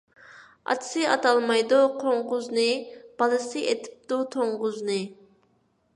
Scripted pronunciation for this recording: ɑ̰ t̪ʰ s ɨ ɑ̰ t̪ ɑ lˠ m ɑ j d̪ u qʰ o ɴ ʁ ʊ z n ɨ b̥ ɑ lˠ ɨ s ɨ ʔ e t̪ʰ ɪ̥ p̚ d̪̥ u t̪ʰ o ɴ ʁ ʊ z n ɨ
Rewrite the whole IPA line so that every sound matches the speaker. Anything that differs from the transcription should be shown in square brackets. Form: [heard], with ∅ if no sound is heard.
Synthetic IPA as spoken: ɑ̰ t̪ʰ s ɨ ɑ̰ t̪ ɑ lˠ m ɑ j d̪ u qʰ o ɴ ʁ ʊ z n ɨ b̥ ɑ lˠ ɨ s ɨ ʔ e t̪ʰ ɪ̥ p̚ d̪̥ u t̪ʰ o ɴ ʁ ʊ z n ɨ

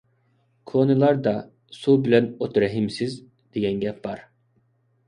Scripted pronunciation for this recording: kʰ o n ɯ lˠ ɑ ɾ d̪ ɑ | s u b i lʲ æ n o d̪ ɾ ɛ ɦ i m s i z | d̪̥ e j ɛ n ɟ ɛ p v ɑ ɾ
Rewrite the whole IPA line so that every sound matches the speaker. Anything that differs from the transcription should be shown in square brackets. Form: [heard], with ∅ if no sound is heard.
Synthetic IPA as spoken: kʰ o n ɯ lˠ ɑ ɾ d̪ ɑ | s u b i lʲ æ n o [t̪] ɾ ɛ ɦ i m s i z | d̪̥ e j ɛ n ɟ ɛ p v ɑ ɾ

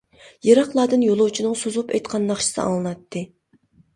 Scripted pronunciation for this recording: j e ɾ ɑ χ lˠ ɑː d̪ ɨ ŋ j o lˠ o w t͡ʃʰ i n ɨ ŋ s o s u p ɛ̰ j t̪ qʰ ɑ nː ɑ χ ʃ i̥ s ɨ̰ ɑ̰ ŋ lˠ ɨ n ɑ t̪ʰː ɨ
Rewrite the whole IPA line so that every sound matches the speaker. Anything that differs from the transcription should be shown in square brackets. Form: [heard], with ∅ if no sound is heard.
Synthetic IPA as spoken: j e ɾ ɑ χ lˠ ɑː d̪ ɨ [n] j o lˠ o w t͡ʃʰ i n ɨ ŋ s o [z] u p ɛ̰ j t̪ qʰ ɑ nː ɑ χ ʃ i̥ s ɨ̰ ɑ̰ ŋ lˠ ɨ n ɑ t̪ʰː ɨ

